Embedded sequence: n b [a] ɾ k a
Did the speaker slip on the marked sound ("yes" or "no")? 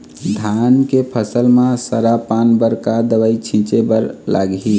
yes